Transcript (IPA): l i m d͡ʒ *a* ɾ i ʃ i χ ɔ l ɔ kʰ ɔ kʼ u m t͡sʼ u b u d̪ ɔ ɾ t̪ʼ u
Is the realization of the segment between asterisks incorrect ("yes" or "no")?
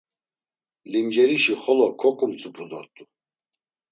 yes